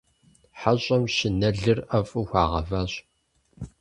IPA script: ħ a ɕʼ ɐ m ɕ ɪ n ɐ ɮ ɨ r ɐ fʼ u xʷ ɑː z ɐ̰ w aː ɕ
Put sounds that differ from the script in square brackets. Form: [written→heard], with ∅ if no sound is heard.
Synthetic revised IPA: ħ a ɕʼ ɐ m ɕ ɪ n ɐ ɮ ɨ r ɐ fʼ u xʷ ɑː [z→ʁ] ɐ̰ [w→v] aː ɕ

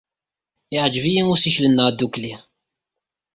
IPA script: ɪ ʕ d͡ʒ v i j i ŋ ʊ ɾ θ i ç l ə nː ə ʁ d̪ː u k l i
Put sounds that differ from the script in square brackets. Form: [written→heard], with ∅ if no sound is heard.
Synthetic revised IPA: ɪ ʕ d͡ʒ v i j i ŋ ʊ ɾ [θ→s] i ç l ə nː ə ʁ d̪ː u k l i

